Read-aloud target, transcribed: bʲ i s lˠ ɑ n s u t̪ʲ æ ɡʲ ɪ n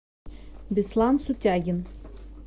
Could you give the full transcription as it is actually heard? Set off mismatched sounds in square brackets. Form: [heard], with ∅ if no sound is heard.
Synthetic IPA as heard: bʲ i s lˠ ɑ n s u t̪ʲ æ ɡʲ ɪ n